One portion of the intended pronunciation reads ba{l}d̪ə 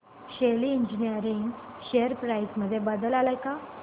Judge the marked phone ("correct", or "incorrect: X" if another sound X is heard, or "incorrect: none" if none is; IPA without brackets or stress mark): incorrect: none